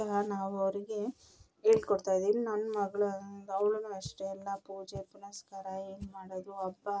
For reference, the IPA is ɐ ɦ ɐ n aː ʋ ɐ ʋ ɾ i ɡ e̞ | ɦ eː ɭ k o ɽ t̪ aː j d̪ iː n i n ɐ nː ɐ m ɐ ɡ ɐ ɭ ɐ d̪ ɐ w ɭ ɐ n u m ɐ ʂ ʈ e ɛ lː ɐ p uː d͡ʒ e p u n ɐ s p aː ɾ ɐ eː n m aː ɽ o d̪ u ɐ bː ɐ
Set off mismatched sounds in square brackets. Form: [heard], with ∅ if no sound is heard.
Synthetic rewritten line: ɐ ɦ ɐ n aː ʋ ɐ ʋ ɾ i ɡ e̞ | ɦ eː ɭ k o ɽ t̪ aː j d̪ iː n i n ɐ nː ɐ m ɐ ɡ ɐ ɭ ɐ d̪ ɐ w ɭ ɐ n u [∅] ɐ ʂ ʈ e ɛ lː ɐ p uː d͡ʒ e p u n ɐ s [k] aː ɾ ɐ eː n m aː ɽ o d̪ u ɐ bː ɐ